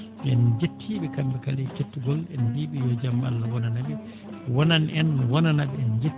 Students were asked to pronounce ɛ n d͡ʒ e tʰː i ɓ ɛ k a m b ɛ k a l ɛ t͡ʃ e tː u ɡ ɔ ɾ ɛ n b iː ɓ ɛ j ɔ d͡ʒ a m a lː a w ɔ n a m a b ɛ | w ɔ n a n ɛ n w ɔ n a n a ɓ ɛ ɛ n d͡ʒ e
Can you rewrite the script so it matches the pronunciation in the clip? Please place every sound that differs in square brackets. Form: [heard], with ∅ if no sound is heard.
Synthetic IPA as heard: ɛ n d͡ʒ e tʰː i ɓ ɛ k a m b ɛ k a l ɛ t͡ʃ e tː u ɡ ɔ [l] ɛ n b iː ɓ ɛ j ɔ d͡ʒ a m a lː a w ɔ n a [n] a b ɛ | w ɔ n a n ɛ n w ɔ n a n a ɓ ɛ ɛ n d͡ʒ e